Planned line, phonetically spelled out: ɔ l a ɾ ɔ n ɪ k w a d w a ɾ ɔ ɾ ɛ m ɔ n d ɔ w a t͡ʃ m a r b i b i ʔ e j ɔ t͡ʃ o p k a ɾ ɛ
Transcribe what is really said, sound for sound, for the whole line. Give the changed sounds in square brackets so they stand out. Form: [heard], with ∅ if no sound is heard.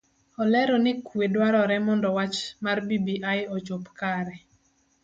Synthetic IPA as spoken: ɔ l [ɛ] ɾ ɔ n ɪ k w [e] d w a ɾ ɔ ɾ ɛ m ɔ n d ɔ w a t͡ʃ m a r b i b i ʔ [a] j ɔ t͡ʃ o p k a ɾ ɛ